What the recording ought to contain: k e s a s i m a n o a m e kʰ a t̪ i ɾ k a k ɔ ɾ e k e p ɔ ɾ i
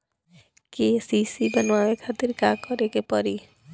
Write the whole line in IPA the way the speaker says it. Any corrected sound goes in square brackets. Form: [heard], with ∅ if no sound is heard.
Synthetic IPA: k e s [i] s i [b] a n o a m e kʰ a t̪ i ɾ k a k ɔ ɾ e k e p ɔ ɾ i

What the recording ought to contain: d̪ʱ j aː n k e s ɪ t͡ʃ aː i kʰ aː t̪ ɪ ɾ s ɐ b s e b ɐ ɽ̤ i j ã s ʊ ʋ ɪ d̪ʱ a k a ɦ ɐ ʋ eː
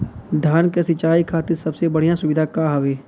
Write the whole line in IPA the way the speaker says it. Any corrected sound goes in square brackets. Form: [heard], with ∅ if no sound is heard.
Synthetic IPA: d̪ʱ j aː n k e s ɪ t͡ʃ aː i kʰ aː t̪ ɪ ɾ s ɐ b s e b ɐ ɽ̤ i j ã s ʊ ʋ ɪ d̪ʱ a k a ɦ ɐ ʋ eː

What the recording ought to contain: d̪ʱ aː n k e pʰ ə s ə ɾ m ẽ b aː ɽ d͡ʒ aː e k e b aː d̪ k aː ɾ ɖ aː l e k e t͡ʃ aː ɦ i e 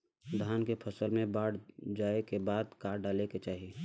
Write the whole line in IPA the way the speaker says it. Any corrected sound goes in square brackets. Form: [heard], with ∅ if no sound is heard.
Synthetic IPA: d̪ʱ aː n k e pʰ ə s ə [l] m ẽ b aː ɽ d͡ʒ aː e k e b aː d̪ k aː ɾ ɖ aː l e k e t͡ʃ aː ɦ i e

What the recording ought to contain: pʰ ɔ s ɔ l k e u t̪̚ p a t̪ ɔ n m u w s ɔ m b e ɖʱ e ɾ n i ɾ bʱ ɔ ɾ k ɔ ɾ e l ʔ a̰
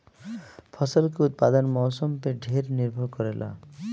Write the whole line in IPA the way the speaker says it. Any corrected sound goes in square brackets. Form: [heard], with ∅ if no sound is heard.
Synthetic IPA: pʰ ɔ s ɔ l k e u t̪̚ p a [d̪] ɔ n m [ɔ] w s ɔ m [p] e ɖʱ e ɾ n i ɾ bʱ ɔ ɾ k ɔ ɾ e l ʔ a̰

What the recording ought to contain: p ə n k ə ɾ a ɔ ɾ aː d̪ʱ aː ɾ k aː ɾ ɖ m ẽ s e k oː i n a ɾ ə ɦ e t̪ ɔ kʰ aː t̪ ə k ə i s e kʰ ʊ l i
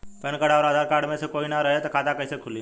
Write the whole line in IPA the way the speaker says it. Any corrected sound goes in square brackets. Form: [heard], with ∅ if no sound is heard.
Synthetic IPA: p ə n k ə [ɽ] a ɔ ɾ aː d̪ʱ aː ɾ k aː ɾ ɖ m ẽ s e k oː i n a ɾ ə ɦ e t̪ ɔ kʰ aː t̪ [a] k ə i s e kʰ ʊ l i

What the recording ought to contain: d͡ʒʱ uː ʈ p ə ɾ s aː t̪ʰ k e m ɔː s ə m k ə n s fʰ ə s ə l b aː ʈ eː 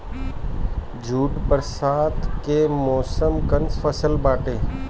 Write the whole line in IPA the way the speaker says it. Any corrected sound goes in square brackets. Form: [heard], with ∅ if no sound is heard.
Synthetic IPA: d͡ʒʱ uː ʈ p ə ɾ s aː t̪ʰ k e m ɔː s ə m k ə n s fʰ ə s ə l b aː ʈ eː

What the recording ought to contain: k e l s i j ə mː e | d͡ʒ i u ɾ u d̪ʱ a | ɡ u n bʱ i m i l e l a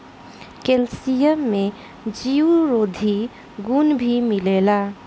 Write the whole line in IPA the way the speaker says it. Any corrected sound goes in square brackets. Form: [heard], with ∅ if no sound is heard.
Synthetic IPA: k e l s i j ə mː e | d͡ʒ i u ɾ [o] d̪ʱ [i] | ɡ u n bʱ i m i l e l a

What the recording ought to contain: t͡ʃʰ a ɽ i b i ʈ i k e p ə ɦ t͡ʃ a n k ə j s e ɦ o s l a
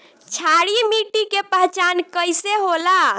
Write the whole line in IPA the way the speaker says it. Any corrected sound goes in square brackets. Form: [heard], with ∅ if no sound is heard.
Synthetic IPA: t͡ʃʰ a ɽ i [m] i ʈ i k e p ə ɦ t͡ʃ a n k ə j s e ɦ o [∅] l a

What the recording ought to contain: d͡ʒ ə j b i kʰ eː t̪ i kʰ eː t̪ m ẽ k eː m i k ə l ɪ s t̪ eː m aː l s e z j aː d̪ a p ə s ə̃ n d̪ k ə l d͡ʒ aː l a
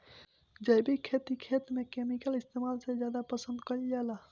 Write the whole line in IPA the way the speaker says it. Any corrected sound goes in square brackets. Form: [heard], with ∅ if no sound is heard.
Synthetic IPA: d͡ʒ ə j b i kʰ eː t̪ i kʰ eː t̪ m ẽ k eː m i k ə l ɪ s t̪ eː m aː l s e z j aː d̪ a p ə s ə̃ n d̪ k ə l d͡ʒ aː l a

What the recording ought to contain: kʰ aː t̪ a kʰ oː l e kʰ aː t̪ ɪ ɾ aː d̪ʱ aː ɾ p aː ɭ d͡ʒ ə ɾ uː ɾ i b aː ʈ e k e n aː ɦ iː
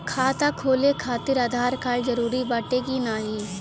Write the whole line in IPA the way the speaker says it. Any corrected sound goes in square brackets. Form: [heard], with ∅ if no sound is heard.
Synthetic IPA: kʰ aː t̪ a kʰ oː l e kʰ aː t̪ ɪ ɾ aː d̪ʱ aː ɾ [k] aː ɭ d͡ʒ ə ɾ uː ɾ i b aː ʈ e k [i] n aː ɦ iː

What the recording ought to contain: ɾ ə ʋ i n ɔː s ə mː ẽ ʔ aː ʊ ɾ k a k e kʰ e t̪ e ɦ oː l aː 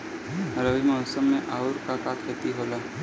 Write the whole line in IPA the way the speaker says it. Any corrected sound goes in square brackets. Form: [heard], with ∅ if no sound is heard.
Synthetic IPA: ɾ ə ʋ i [m] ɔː s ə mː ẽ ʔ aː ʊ ɾ k a k [a] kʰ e t̪ [i] ɦ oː l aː

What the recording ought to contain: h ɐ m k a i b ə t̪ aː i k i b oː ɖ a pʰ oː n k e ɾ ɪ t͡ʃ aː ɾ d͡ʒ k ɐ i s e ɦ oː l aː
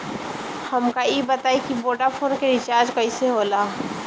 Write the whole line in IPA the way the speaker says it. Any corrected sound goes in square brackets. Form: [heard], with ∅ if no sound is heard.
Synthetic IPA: h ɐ m k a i b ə t̪ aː i k i b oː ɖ a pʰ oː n k e ɾ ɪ t͡ʃ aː ɾ d͡ʒ k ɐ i s e ɦ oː l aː

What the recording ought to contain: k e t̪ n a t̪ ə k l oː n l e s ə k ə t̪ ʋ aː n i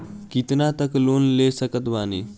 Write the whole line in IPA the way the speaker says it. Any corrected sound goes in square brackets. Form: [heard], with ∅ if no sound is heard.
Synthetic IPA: k [i] t̪ n a t̪ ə k l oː n l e s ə k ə t̪ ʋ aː n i

